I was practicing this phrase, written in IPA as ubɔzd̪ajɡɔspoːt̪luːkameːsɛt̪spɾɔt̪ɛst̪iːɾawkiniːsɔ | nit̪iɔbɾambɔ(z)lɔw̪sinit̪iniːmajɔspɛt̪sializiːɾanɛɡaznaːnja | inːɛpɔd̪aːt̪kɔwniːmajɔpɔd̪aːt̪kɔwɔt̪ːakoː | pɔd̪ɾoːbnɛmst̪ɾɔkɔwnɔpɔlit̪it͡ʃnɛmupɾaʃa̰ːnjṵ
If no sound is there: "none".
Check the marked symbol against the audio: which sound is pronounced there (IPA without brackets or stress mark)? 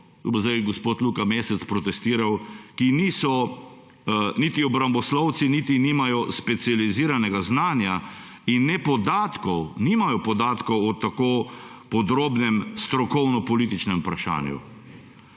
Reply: s